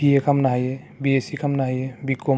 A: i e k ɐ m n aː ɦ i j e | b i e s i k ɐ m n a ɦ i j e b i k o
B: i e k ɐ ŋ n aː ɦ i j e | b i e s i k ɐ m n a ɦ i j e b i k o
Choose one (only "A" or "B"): A